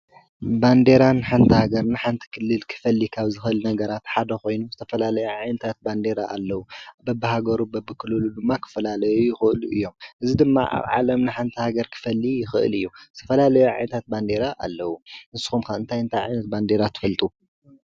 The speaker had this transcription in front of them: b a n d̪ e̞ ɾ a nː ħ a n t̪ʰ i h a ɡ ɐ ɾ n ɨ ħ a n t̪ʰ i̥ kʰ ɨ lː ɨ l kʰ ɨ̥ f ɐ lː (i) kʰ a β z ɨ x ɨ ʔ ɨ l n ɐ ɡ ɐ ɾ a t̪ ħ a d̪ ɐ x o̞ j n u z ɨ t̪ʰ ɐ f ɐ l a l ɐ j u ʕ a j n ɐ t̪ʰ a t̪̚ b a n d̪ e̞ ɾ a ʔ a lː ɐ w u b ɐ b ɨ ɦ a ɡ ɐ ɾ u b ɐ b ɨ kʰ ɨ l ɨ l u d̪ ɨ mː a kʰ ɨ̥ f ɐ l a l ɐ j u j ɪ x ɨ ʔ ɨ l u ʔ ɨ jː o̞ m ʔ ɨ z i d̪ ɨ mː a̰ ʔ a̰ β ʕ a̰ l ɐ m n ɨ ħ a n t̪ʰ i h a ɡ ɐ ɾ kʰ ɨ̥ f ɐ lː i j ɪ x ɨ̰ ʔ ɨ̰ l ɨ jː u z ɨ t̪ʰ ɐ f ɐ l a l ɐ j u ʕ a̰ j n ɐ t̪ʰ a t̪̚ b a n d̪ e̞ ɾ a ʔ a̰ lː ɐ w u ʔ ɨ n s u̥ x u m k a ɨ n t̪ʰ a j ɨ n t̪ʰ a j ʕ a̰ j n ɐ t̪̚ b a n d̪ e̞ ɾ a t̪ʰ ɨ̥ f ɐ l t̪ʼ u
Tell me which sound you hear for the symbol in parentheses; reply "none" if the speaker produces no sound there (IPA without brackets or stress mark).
i